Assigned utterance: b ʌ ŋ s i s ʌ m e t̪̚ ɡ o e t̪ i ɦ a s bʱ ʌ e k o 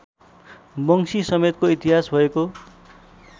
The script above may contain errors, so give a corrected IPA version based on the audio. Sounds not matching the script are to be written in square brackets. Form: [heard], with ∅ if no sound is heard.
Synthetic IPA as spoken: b ʌ ŋ s i s ʌ m e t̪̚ [k] o [i] t̪ i ɦ a s bʱ ʌ e k o